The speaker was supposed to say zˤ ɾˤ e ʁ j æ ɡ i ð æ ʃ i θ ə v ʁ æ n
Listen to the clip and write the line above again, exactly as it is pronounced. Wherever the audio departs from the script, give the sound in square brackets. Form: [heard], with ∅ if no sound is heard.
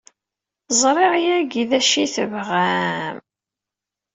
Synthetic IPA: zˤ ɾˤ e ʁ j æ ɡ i ð æ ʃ i θ ə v ʁ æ [m]